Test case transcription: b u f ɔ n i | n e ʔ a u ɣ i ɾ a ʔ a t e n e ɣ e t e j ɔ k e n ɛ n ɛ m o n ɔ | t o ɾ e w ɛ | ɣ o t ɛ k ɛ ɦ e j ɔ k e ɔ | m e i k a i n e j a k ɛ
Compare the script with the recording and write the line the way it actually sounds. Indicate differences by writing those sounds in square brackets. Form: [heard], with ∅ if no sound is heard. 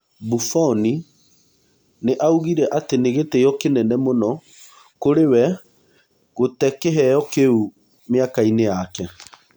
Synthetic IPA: b u f ɔ n i | n e ʔ a u ɣ i ɾ [ɛ] ʔ a t e n e ɣ e t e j ɔ k e n ɛ n ɛ m o n ɔ | [k] o ɾ e w ɛ | ɣ o t ɛ k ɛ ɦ [ɛ] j ɔ k e [u] | m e [a] k a i n e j a k ɛ